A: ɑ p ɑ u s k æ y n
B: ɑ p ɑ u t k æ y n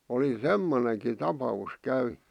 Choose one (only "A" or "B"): A